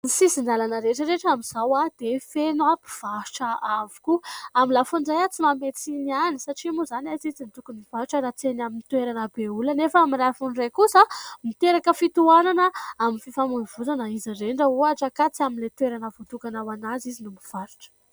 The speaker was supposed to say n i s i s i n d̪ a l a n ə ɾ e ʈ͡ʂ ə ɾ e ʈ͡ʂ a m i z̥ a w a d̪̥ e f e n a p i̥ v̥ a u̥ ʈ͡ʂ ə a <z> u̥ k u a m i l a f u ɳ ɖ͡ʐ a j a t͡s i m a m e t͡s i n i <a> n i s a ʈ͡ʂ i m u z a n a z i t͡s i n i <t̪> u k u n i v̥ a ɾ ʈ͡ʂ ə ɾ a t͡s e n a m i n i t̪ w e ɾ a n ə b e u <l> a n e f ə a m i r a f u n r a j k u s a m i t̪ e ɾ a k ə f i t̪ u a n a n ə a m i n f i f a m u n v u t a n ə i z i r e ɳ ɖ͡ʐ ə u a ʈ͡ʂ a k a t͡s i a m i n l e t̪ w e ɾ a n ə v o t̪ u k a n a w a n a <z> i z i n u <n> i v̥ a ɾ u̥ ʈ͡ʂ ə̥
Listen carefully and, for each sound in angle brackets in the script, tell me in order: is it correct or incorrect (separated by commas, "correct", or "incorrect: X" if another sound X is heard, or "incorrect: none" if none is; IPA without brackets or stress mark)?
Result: incorrect: v, correct, correct, correct, correct, incorrect: m